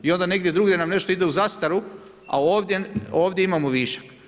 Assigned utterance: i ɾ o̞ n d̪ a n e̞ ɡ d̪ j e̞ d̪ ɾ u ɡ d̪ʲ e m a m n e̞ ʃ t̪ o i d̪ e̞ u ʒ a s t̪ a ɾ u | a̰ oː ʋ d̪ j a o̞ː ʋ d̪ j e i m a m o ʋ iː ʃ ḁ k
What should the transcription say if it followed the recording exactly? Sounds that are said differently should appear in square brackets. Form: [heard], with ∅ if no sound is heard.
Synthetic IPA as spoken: i [∅] o̞ n d̪ a n e̞ ɡ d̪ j e̞ d̪ ɾ u ɡ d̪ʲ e [n] a m n e̞ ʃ t̪ o i d̪ e̞ u [z] a s t̪ a ɾ u | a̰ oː ʋ d̪ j [e] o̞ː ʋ d̪ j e i m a m o ʋ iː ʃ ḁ k